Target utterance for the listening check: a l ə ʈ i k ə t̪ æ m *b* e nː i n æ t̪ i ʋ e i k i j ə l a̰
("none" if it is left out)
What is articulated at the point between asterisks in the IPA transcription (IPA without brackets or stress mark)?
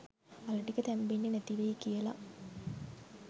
b